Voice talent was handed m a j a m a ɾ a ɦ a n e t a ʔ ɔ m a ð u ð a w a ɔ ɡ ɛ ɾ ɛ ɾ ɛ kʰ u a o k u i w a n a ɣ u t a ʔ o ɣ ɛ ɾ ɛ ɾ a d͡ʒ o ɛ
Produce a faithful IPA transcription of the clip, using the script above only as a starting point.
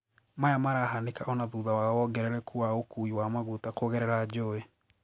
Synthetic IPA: m a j a m a ɾ a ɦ a n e k a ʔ ɔ n a ð u ð a w a ɔ ɡ ɛ ɾ ɛ ɾ ɛ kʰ u a o k u i w a m a ɣ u t a k o ɣ ɛ ɾ ɛ ɾ a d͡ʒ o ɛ